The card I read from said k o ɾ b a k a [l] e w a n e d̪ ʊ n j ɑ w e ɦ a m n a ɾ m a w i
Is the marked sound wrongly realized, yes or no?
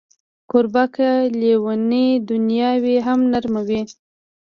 no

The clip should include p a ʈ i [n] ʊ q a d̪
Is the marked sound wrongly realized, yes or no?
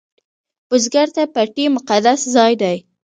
yes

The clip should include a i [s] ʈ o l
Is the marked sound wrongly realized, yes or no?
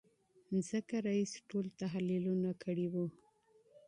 no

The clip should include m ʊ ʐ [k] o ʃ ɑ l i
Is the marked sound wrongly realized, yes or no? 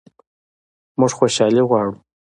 yes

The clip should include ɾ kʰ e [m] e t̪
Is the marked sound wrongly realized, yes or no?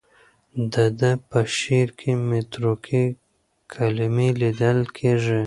no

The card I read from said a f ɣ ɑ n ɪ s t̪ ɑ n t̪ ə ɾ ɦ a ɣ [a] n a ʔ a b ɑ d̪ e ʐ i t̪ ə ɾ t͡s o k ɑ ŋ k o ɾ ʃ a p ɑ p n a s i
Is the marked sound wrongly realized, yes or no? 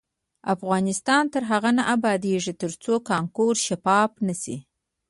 no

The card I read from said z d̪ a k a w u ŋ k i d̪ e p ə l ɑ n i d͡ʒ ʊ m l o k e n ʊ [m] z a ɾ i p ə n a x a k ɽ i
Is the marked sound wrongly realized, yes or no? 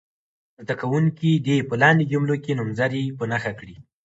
no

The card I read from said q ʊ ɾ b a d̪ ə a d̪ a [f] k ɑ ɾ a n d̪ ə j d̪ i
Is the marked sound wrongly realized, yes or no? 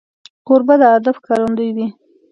no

